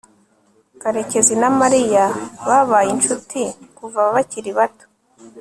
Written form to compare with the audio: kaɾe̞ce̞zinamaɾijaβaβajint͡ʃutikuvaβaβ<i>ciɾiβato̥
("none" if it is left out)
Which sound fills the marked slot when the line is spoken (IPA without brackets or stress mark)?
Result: a